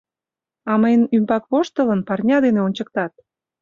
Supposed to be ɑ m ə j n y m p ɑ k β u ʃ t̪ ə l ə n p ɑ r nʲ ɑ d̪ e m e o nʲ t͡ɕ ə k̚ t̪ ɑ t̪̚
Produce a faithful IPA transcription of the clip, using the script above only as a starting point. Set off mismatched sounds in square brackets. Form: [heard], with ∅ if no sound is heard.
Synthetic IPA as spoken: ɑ m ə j n y m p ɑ k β [o] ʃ t̪ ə l ə n p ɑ r nʲ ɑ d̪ e [n] e o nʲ t͡ɕ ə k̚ t̪ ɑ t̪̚